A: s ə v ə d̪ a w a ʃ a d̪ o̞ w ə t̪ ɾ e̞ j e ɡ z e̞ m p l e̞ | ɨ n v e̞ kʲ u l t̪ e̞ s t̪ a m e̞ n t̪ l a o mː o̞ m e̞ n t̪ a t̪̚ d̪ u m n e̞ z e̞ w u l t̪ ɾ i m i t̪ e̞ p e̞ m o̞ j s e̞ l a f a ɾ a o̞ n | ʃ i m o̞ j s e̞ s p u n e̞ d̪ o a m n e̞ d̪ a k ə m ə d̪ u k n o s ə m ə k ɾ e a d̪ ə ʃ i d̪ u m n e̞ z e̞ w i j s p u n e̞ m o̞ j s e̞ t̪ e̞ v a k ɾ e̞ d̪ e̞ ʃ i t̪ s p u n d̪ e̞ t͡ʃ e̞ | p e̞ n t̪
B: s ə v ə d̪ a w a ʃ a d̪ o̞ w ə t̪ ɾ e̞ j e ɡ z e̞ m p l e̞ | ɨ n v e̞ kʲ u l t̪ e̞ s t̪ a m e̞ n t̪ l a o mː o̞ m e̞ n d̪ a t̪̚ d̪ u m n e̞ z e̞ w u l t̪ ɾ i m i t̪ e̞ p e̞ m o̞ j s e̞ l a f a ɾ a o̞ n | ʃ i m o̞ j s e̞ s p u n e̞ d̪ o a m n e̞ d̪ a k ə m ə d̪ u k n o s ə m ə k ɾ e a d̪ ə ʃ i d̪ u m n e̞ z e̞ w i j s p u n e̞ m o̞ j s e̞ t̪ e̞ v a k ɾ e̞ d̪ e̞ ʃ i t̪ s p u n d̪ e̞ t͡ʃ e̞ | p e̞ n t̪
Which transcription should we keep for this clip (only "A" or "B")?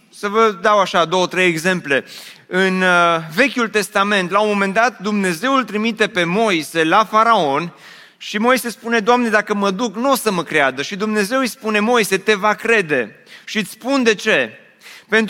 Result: B